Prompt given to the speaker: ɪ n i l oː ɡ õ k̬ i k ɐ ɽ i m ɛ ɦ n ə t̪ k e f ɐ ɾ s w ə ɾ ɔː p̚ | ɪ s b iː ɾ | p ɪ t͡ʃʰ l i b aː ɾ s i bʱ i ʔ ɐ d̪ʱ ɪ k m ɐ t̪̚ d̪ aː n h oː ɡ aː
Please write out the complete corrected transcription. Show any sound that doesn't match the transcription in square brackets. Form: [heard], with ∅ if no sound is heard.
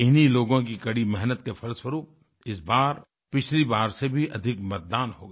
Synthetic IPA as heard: ɪ n i l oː ɡ õ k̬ i k ɐ ɽ i m ɛ ɦ n ə t̪ k e f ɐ ɾ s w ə ɾ [uː] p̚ | ɪ s b [aː] ɾ | p ɪ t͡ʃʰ l i b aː ɾ s [e] bʱ i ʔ ɐ d̪ʱ ɪ k m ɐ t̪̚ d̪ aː n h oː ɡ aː